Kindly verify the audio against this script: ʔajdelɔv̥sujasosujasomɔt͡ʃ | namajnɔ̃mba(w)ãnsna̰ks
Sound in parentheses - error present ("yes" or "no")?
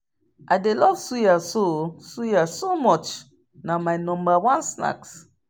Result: no